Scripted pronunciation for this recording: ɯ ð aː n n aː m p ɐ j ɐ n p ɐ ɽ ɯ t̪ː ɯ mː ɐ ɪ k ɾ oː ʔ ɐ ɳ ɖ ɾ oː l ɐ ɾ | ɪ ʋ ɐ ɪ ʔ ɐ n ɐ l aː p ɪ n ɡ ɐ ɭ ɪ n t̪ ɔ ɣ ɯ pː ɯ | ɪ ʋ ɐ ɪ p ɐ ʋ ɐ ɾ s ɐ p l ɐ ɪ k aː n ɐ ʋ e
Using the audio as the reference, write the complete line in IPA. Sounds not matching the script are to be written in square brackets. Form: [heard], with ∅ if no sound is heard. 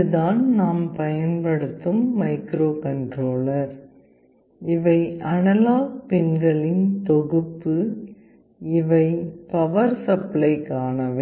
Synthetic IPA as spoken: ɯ ð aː n n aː m p ɐ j ɐ n p ɐ ɽ ɯ t̪ː ɯ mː ɐ ɪ k ɾ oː [k] ɐ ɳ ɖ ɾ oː l ɐ ɾ | ɪ ʋ ɐ ɪ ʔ ɐ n ɐ l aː p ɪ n ɡ ɐ ɭ ɪ n t̪ ɔ ɣ ɯ pː ɯ | ɪ ʋ ɐ ɪ p ɐ ʋ ɐ ɾ s ɐ p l ɐ ɪ k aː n ɐ ʋ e